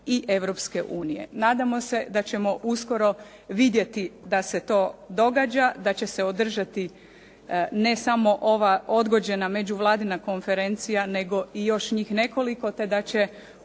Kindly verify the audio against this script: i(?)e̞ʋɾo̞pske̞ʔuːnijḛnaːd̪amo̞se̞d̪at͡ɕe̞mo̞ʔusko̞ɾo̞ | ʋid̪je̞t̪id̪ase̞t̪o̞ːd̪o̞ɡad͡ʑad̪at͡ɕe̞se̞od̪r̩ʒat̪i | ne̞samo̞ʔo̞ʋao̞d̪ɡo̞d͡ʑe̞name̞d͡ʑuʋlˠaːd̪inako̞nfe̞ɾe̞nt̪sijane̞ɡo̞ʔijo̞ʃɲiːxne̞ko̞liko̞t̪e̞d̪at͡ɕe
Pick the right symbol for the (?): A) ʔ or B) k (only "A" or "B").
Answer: A